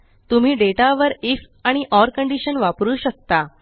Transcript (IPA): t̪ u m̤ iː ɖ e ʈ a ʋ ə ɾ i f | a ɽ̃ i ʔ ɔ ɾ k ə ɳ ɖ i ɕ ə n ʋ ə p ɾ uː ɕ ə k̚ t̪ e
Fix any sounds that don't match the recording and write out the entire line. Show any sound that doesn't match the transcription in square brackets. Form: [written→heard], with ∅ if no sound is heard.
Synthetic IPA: t̪ u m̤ iː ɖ e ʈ a ʋ ə ɾ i f | a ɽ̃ i ʔ ɔ ɾ k ə ɳ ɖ i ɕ ə n ʋ [ə→a] p ɾ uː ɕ ə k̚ t̪ [e→a]